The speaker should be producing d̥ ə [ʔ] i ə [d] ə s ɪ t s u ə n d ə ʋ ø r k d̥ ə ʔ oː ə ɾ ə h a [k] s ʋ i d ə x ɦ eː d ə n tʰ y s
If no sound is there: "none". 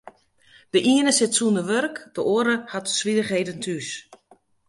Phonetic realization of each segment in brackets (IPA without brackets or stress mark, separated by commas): ʔ, n, t